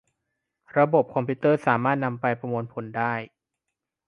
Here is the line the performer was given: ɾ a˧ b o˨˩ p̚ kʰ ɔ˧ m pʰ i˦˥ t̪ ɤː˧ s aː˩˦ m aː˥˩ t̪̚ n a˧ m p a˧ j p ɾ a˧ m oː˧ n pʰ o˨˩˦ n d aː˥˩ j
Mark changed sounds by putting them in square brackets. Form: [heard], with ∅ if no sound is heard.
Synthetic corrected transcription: ɾ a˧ b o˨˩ p̚ kʰ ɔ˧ m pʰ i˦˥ t̪ [ɤː˥˩] s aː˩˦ m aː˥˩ t̪̚ n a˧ m p a˧ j p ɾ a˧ m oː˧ n pʰ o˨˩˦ n d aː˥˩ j